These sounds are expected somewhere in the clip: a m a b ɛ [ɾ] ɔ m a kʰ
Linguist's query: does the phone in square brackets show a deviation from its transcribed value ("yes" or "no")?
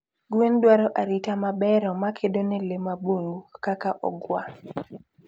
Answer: no